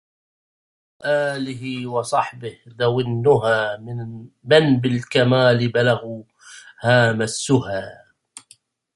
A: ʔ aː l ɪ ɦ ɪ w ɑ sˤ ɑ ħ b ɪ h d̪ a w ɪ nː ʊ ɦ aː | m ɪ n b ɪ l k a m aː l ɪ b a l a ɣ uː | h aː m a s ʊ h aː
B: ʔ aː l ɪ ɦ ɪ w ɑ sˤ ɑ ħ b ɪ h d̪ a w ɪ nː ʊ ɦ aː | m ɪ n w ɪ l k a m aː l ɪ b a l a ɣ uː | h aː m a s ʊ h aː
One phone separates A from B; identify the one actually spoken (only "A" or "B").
A